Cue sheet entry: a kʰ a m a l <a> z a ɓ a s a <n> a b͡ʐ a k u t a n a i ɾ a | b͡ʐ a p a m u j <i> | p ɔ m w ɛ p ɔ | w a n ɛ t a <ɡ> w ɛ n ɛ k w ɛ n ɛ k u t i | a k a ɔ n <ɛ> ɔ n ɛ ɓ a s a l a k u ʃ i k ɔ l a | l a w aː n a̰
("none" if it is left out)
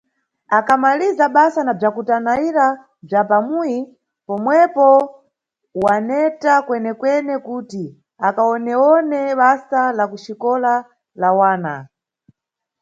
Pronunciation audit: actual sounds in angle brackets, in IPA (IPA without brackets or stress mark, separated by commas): i, n, i, k, ɛ